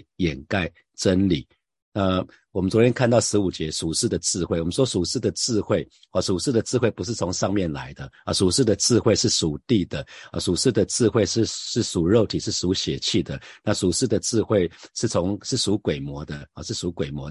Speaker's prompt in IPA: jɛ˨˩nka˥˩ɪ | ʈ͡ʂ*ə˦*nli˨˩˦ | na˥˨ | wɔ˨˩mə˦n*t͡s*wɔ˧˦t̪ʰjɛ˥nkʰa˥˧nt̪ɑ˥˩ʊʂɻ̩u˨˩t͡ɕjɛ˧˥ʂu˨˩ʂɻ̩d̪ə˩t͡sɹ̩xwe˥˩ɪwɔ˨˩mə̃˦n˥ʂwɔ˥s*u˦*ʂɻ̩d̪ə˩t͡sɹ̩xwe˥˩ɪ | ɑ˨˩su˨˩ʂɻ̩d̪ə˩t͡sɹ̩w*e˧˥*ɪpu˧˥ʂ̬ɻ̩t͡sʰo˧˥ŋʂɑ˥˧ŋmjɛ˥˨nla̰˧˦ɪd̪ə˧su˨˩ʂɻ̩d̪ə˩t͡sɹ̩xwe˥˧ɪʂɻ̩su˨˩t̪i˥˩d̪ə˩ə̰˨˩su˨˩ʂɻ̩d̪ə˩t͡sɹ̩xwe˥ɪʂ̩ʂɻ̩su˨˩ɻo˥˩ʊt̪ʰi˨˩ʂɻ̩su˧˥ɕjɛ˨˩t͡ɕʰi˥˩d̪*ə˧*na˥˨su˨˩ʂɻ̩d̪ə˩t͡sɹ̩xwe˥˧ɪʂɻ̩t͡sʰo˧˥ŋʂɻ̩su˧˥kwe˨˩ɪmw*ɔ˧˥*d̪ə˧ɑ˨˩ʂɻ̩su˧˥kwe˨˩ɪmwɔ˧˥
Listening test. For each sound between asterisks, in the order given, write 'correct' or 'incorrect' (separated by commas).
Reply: correct, correct, incorrect, incorrect, incorrect, correct